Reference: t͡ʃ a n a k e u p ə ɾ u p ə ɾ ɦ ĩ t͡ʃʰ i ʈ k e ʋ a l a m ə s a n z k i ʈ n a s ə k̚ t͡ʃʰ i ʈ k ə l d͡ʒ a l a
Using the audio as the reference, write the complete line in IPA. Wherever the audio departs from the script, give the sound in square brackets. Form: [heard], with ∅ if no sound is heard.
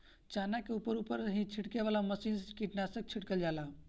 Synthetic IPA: t͡ʃ a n a k e u p ə ɾ u p ə ɾ ɦ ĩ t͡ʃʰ i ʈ k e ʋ a l a m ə s [i] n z k i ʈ n a s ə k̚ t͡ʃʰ i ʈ k ə l d͡ʒ a l a